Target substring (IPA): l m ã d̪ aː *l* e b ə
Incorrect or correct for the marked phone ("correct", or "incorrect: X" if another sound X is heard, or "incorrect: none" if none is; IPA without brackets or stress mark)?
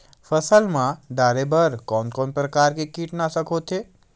incorrect: ɾ